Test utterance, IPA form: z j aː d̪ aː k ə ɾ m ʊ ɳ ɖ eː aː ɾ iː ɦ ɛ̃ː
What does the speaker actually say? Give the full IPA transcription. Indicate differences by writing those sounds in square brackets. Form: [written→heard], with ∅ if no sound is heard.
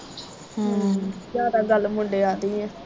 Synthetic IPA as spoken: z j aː d̪ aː [k→ɡ] ə [ɾ→l] m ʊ ɳ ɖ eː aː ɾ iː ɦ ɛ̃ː